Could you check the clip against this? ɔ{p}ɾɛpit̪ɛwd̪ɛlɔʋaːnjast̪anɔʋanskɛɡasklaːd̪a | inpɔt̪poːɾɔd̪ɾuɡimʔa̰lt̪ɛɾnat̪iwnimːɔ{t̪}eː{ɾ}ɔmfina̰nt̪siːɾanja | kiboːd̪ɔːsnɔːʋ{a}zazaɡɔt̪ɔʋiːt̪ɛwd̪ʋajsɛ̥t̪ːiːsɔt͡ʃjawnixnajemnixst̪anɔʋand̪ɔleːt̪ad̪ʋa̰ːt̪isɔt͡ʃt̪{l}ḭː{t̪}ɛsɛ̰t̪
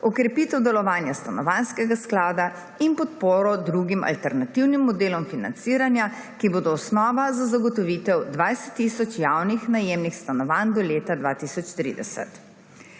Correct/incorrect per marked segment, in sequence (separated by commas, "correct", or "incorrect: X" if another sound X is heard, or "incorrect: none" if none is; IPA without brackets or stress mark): incorrect: k, incorrect: d̪, incorrect: l, correct, incorrect: ɾ, incorrect: d̪